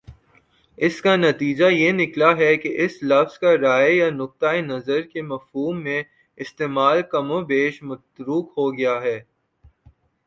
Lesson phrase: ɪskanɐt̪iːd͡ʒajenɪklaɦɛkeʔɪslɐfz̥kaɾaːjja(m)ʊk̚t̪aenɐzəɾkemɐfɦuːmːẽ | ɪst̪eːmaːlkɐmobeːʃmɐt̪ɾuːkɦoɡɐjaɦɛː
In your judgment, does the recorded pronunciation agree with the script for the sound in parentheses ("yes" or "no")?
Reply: no